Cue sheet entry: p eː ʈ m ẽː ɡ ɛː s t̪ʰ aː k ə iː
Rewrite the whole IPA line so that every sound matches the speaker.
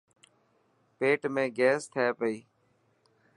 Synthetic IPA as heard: p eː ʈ m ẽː ɡ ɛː s t̪ʰ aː p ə iː